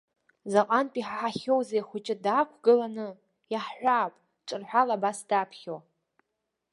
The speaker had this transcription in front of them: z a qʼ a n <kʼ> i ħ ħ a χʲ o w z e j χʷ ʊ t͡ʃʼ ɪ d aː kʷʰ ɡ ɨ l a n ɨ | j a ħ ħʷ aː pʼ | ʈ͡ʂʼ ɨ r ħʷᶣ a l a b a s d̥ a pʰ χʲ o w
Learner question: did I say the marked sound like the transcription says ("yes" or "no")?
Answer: no